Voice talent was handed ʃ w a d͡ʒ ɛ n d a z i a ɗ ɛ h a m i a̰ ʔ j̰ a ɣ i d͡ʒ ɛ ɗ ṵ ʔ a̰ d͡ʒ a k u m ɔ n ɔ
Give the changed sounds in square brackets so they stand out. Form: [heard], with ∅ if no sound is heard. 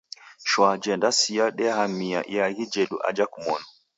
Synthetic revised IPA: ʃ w a d͡ʒ ɛ n d a [s] i a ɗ ɛ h a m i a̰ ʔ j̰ a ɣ i d͡ʒ ɛ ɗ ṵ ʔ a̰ d͡ʒ a k u m ɔ n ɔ